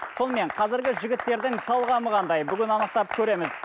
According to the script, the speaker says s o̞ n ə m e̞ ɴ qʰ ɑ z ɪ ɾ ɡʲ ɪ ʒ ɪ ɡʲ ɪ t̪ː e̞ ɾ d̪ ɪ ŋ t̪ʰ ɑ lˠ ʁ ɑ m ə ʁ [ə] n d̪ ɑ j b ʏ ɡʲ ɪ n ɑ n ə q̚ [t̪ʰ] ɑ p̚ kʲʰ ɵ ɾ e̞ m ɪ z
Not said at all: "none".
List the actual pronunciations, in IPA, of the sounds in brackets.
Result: ɑ, t̪

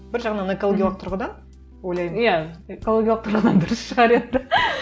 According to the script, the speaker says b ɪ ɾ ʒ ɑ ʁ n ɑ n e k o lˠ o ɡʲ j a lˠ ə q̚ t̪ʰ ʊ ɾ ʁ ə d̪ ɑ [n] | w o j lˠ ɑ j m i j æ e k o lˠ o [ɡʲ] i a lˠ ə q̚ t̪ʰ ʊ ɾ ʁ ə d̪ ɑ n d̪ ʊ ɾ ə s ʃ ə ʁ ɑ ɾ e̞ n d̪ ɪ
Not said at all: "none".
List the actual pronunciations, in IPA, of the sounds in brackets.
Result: n, ɡʲ

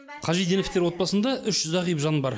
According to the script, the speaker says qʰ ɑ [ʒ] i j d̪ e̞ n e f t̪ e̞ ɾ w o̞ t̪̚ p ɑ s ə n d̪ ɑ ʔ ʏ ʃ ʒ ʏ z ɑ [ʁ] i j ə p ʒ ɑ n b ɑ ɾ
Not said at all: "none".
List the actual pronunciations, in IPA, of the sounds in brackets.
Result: ʒ, ʁ

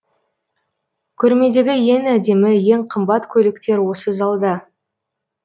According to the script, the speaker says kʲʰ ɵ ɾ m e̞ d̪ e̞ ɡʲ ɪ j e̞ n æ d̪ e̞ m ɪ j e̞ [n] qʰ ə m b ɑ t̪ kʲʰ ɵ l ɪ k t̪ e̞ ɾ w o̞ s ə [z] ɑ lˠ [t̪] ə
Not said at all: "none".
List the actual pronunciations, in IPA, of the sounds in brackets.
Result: ŋ, z, d̪

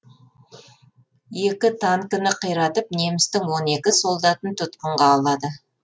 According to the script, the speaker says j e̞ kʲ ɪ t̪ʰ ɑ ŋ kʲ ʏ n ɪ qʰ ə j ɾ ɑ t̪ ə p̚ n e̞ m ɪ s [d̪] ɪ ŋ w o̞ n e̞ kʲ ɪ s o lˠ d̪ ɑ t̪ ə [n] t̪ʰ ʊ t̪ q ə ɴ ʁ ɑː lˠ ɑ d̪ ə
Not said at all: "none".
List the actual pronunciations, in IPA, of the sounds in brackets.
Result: t̪, n

